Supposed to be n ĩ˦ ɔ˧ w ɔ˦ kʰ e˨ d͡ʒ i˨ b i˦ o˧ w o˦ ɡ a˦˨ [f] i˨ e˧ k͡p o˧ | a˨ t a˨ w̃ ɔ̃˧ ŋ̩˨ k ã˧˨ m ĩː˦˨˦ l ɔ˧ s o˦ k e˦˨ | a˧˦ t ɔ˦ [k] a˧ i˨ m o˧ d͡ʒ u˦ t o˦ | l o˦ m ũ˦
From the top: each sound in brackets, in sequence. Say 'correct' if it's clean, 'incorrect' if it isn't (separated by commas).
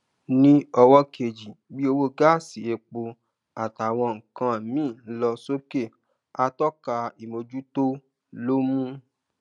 incorrect, correct